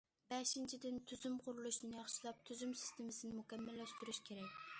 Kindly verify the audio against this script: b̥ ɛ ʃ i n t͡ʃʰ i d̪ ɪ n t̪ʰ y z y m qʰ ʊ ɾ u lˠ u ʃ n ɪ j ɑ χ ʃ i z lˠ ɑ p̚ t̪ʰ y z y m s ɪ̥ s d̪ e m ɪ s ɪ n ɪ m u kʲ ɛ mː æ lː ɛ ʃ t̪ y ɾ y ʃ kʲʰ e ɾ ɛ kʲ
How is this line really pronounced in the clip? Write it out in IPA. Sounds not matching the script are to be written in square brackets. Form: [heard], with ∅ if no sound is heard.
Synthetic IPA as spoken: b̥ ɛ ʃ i n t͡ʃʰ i d̪ ɪ n t̪ʰ y z y m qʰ ʊ ɾ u lˠ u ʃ n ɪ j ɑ χ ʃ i [∅] lˠ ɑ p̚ t̪ʰ y z y m s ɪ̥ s [t̪] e m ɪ s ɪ n ɪ m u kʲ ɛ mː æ lː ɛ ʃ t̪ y ɾ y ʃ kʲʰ e ɾ ɛ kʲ